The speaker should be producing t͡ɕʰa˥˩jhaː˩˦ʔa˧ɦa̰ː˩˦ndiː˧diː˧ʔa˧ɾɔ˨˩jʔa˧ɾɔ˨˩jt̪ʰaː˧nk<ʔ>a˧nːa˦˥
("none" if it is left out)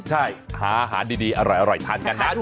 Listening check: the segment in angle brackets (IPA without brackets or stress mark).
k